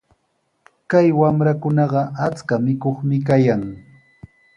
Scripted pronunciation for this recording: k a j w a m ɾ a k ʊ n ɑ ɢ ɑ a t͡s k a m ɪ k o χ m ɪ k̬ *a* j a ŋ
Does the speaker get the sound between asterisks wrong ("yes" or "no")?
no